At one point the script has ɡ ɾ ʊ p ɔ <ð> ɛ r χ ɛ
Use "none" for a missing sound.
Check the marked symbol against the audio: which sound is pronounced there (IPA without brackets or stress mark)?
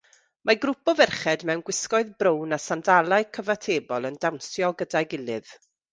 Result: v